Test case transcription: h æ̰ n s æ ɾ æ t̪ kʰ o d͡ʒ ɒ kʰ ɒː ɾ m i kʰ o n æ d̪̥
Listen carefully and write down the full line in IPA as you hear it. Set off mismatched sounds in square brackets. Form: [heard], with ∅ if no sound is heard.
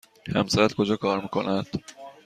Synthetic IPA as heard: h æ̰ [m] s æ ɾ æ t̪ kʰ o d͡ʒ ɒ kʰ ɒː ɾ m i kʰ o n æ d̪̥